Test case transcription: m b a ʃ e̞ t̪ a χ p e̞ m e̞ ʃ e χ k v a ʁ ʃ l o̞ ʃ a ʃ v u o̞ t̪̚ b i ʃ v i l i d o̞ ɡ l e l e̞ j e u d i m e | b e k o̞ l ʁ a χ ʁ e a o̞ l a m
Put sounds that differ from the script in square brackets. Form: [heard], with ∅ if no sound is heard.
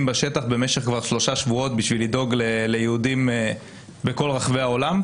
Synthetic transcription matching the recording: m b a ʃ e̞ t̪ a χ [b] e̞ m e̞ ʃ e χ k v a ʁ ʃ l o̞ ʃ a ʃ v u o̞ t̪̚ b i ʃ v i l i d o̞ ɡ l e l e̞ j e u d i m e | b e k o̞ l ʁ a χ [v] e a o̞ l a m